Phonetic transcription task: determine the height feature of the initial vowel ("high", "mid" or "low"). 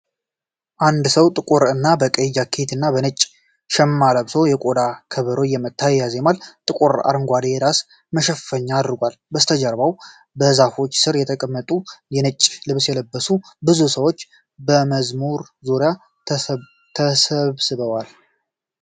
low